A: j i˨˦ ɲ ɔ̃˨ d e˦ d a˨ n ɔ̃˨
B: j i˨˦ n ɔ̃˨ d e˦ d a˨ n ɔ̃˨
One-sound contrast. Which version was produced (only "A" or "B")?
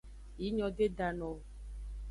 A